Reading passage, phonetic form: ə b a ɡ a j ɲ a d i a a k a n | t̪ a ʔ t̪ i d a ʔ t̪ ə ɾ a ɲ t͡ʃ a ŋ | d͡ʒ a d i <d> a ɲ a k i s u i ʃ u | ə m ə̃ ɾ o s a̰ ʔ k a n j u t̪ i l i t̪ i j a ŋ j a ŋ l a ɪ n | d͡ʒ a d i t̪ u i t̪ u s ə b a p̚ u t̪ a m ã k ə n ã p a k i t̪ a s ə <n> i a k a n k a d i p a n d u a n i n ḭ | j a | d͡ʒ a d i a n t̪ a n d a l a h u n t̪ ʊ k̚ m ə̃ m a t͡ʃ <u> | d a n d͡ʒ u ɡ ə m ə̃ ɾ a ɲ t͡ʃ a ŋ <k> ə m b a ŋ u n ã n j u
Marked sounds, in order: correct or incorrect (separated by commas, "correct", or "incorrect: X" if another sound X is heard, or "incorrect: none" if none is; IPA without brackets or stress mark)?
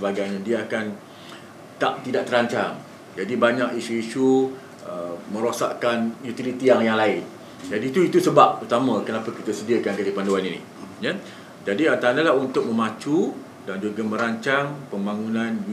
incorrect: b, incorrect: d, correct, incorrect: p